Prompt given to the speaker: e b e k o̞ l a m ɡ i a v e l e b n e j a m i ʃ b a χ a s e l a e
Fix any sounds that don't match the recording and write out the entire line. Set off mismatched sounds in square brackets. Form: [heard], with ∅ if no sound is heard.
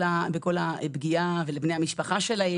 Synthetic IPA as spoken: [a] b e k o̞ l a [b] ɡ i a v e l e b n e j a m i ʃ [p] a χ a [ʃ] e l a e